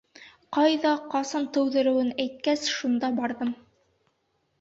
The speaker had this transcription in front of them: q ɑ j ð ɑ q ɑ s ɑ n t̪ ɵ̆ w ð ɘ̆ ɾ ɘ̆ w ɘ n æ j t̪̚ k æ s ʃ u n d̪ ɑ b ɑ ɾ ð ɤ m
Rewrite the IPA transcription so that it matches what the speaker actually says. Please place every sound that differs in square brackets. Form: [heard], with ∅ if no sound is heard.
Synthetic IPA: q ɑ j ð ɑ q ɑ s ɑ n t̪ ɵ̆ w ð ɘ̆ ɾ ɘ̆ w ɘ n æ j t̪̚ k æ s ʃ u n d̪ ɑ b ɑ ɾ ð ɤ m